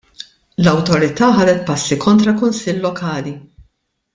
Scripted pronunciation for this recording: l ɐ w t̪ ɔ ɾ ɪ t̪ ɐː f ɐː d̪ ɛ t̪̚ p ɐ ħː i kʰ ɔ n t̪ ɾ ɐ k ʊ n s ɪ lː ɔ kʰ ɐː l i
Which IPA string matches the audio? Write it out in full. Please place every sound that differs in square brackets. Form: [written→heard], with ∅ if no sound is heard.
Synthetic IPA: l ɐ w t̪ ɔ ɾ ɪ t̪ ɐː [f→ħ] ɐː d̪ ɛ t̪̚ p ɐ [ħː→sː] i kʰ ɔ n t̪ ɾ ɐ k ʊ n s ɪ lː ɔ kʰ ɐː l i